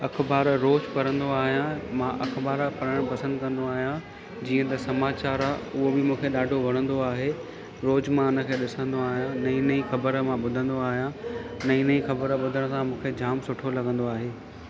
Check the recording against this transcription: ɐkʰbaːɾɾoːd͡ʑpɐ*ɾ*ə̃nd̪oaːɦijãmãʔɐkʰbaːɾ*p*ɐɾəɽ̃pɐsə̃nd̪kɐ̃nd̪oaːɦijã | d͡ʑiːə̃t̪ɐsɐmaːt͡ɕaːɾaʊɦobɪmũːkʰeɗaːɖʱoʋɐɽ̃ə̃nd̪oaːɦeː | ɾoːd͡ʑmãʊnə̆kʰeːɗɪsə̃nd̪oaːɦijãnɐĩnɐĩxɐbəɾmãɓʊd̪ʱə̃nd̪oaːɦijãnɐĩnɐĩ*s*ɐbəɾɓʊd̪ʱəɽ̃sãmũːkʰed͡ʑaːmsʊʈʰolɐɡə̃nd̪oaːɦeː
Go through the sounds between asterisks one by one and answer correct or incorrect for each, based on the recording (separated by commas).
correct, correct, incorrect